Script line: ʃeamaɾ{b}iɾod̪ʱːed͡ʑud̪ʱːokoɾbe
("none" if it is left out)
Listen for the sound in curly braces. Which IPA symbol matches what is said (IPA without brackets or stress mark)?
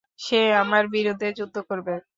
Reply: b